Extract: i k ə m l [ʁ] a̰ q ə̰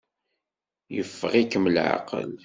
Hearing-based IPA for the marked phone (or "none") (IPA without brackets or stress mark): ʕ